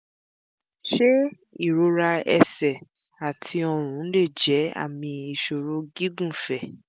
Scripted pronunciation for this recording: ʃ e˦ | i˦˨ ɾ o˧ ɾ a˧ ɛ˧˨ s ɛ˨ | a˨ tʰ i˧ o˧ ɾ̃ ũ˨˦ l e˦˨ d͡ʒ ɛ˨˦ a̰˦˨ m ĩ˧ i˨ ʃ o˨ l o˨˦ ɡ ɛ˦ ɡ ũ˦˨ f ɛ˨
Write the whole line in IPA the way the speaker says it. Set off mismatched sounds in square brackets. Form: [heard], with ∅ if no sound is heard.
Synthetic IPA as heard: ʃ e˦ | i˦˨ ɾ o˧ ɾ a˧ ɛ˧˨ s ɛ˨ | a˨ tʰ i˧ [ɔ˧] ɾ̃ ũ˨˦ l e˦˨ d͡ʒ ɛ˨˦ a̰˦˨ m ĩ˧ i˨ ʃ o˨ [ɾ] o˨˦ ɡ [i˦] ɡ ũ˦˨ f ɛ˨